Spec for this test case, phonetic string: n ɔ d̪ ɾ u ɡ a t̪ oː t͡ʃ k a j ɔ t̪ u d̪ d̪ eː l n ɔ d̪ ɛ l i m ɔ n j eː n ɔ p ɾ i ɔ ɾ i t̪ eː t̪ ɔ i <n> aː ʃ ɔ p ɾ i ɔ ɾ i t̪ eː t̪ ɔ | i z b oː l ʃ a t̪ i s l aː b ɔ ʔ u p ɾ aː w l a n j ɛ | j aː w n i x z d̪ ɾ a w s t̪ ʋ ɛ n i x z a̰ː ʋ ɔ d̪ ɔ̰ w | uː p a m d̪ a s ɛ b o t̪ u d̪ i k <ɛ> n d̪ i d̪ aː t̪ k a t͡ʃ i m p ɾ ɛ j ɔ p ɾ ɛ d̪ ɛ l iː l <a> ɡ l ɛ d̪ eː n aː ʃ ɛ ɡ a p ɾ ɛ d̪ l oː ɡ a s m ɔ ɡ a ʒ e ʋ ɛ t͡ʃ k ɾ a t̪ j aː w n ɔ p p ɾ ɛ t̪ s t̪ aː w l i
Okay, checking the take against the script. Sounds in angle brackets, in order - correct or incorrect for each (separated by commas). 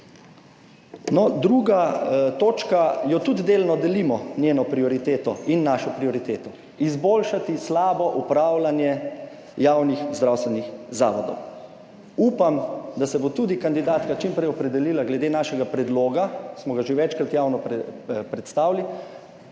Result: incorrect, incorrect, correct